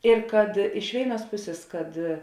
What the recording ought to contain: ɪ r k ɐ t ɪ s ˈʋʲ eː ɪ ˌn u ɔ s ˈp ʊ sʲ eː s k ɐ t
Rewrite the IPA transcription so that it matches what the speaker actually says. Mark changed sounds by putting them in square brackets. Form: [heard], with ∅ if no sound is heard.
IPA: ɪ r k ɐ t ɪ [ʃ] ˈʋʲ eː ɪ ˌn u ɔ s ˈp ʊ sʲ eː s k ɐ t